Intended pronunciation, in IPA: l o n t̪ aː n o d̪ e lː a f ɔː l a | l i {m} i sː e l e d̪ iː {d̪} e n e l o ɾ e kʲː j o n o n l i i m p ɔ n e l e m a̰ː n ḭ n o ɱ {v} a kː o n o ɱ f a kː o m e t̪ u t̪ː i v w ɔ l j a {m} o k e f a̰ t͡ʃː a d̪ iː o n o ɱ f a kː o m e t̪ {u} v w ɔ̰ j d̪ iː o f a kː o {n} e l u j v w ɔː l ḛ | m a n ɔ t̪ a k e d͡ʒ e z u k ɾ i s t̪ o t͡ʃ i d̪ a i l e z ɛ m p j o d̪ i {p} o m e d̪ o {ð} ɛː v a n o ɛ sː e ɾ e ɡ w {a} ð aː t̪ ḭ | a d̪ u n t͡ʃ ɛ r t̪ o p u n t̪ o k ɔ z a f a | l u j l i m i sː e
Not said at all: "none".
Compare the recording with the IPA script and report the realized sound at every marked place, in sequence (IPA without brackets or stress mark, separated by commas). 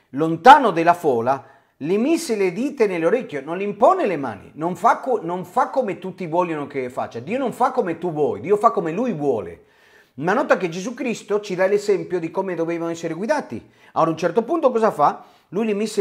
m, t̪, f, n, u, m, k, v, i